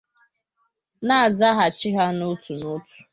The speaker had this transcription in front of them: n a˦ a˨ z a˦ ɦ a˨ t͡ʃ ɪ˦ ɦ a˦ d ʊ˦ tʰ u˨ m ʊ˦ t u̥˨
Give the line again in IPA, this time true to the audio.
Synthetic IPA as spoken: n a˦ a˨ z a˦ ɦ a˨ t͡ʃ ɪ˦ ɦ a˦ n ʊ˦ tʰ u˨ n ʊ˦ t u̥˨